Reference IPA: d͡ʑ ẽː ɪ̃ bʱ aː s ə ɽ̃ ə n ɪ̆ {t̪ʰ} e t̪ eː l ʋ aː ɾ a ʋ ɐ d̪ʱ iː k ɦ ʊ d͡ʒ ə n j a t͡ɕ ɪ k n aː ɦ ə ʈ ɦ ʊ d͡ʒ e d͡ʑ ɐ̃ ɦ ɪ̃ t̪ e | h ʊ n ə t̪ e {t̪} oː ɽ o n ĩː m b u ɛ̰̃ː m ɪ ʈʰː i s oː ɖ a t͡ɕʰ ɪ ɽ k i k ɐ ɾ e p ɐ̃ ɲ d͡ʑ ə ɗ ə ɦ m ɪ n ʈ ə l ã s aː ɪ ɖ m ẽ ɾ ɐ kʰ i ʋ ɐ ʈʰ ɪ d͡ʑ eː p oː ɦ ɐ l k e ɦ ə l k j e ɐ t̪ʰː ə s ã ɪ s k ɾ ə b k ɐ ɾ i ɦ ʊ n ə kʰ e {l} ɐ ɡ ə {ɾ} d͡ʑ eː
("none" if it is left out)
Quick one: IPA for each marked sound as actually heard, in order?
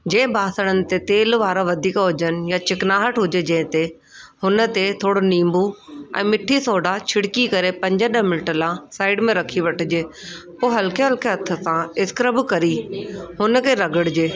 t̪, t̪ʰ, ɾ, ɽ

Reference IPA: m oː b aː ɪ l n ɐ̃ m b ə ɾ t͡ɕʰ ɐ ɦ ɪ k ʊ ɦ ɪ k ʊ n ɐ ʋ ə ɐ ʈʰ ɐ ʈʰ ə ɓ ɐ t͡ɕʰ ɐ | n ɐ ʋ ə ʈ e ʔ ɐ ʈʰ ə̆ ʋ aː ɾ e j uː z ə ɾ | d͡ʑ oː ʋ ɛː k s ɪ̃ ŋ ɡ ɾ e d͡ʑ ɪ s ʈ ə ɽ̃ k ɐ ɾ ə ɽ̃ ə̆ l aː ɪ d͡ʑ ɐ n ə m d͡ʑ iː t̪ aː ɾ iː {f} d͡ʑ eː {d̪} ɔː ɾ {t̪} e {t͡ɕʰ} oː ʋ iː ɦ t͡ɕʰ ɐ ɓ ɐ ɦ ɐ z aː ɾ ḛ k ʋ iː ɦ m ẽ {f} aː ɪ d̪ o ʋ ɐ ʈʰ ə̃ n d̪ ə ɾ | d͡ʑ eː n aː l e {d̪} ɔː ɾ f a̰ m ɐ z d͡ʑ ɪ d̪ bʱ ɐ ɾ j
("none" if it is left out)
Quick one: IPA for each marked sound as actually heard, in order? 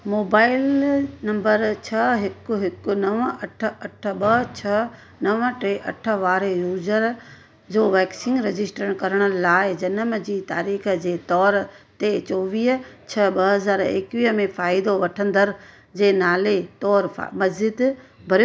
x, t̪, t̪, t͡ɕ, f, t̪

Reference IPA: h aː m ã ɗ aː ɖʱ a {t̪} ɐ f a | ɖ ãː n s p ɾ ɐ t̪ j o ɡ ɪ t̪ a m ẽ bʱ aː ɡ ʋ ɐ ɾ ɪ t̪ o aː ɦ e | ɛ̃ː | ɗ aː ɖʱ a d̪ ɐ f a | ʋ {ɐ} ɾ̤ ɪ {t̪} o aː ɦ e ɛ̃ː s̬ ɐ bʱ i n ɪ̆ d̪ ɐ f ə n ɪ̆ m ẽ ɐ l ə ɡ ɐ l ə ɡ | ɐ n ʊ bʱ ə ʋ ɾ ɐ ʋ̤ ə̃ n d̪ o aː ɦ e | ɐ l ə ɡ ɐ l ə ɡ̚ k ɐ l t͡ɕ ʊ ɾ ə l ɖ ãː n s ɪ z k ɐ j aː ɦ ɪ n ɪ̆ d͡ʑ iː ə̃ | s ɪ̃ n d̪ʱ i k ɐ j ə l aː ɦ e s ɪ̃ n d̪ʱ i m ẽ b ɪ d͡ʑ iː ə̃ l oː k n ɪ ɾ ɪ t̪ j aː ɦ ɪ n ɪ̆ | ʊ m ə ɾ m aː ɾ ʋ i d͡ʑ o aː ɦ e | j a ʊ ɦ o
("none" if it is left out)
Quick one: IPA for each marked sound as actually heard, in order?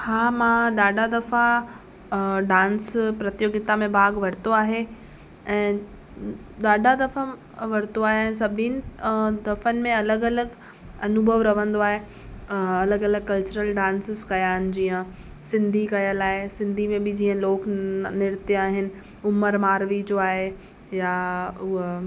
d̪, ɐ, t̪

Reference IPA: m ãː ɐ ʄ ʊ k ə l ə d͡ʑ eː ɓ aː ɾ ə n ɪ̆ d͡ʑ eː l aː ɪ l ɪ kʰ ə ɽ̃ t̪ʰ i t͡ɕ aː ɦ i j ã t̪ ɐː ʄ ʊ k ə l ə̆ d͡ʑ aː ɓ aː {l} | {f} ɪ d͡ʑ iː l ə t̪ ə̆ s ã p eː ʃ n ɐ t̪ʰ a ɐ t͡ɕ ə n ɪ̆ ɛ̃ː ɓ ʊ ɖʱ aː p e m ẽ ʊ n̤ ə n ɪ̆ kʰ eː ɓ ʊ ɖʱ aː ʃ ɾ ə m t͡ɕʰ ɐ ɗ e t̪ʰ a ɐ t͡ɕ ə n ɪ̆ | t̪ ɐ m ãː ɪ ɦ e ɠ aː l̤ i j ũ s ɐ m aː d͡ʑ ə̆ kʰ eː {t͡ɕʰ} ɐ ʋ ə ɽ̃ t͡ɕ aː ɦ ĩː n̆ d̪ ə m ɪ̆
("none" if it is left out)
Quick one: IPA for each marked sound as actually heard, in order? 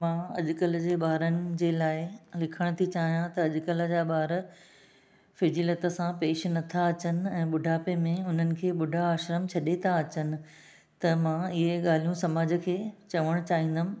ɾ, f, t͡ɕ

